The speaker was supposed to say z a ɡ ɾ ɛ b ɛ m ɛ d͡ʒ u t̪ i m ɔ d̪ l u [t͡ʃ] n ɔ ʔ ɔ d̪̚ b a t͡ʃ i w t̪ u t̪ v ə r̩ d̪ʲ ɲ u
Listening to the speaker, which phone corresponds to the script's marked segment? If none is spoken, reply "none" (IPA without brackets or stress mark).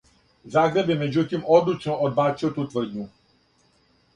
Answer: t͡ʃ